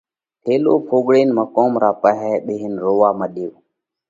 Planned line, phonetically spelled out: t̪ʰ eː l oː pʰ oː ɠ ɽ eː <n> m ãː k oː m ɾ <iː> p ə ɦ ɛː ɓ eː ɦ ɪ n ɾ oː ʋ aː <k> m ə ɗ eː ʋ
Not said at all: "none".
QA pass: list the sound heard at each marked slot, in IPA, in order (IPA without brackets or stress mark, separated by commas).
n, aː, none